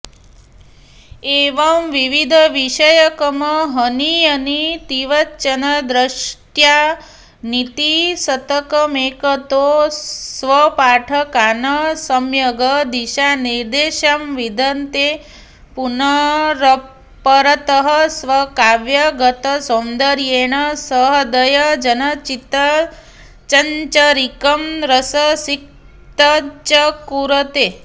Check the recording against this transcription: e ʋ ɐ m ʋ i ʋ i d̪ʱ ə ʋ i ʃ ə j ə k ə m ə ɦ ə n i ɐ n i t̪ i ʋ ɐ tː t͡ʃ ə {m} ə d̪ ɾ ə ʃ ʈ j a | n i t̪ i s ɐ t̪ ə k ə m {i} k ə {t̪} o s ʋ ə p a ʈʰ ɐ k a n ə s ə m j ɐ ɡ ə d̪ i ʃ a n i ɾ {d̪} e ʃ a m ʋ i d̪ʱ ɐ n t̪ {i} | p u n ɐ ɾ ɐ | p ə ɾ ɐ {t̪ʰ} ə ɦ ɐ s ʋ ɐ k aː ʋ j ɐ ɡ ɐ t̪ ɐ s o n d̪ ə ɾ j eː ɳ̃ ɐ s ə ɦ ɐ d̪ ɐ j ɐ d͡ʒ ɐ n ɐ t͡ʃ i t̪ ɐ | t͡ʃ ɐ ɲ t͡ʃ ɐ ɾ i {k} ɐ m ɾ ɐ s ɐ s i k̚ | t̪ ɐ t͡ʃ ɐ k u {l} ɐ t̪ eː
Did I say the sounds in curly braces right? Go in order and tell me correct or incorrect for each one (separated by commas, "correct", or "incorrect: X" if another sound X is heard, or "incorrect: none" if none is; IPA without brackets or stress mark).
incorrect: n, incorrect: e, correct, correct, incorrect: e, incorrect: t̪, correct, incorrect: ɾ